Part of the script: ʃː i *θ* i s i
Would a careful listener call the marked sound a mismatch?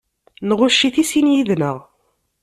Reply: no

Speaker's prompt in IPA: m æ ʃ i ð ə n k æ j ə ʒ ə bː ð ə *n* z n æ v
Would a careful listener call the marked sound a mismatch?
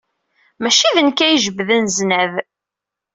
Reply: no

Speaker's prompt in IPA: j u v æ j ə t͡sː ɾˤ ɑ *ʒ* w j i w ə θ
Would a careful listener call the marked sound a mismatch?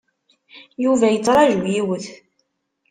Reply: no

